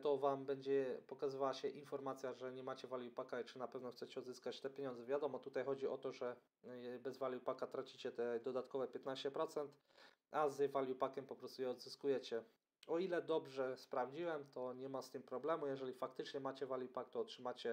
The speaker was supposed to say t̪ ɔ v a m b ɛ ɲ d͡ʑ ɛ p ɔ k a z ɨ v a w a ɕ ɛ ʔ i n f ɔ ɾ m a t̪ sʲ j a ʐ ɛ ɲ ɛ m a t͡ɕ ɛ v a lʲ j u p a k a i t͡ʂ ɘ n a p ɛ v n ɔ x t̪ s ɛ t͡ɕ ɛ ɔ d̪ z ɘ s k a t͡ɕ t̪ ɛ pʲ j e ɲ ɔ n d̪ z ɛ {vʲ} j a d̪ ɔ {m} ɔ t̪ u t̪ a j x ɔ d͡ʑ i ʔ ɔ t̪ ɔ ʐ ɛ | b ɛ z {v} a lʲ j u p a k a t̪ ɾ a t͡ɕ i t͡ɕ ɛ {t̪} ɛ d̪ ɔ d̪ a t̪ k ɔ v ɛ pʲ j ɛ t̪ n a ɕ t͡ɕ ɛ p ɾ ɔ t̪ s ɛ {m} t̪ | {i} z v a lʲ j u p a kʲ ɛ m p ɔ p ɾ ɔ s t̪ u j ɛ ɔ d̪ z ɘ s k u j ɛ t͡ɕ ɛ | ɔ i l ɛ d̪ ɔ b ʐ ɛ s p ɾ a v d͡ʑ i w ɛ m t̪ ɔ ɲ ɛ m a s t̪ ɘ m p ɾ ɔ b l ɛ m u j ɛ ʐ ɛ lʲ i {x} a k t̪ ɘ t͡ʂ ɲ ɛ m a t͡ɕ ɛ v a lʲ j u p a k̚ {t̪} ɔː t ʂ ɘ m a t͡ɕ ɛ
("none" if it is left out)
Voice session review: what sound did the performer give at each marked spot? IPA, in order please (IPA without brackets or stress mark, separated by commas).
vʲ, m, v, t̪, n, a, f, t̪